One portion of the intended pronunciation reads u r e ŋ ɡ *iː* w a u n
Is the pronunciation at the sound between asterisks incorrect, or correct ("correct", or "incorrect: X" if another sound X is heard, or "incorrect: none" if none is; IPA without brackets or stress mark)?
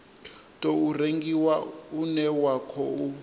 incorrect: i